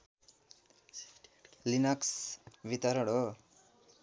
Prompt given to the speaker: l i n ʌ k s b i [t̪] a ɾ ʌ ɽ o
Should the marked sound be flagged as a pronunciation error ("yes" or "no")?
no